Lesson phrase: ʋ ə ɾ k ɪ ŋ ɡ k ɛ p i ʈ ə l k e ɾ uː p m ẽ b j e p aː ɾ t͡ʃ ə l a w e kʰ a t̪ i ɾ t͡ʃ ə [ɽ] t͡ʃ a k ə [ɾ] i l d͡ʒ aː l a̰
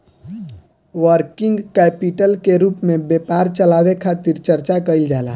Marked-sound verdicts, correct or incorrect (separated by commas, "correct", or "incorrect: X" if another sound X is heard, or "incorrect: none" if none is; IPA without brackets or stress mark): incorrect: ɾ, incorrect: none